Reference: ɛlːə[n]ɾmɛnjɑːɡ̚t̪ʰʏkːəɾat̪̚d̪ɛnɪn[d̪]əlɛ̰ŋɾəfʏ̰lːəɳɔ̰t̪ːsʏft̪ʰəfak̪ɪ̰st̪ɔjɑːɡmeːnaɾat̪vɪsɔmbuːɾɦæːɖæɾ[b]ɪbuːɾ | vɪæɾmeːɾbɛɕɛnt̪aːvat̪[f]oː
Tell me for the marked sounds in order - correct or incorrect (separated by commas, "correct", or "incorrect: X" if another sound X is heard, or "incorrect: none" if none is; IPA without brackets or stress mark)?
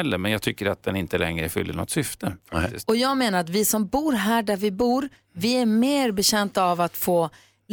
incorrect: none, incorrect: t̪, incorrect: v, correct